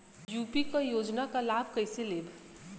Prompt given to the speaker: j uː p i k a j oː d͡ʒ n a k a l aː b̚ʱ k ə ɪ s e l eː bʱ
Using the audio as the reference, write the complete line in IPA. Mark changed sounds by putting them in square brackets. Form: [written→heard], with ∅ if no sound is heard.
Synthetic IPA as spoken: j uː p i k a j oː d͡ʒ n a k a l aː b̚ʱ k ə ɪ s e l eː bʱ